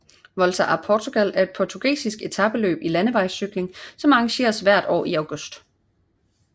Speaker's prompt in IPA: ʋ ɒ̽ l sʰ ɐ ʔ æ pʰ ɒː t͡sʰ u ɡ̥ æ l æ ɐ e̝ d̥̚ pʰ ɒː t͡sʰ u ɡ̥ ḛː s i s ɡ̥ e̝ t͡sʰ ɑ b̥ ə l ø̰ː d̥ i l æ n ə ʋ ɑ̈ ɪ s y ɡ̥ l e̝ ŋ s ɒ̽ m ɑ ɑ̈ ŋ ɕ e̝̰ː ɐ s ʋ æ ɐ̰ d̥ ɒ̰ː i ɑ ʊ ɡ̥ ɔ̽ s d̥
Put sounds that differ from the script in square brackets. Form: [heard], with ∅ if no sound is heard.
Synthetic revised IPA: ʋ ɒ̽ l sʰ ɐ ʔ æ pʰ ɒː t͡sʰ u ɡ̥ æ l æ ɐ e̝ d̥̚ pʰ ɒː t͡sʰ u ɡ̥ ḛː s i s ɡ̥ e̝ t͡sʰ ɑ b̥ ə l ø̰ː [b̥] i l æ n ə ʋ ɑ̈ ɪ s y ɡ̥ l e̝ ŋ s ɒ̽ m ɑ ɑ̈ ŋ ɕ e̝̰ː ɐ s ʋ æ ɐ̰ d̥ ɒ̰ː i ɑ ʊ ɡ̥ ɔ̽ s d̥